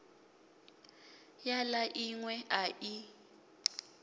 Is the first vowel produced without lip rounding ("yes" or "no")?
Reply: yes